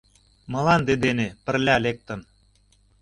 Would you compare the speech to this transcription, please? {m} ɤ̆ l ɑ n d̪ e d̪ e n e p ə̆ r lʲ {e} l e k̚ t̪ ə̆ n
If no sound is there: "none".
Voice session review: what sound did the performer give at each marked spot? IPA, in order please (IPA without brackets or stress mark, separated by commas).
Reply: m, æ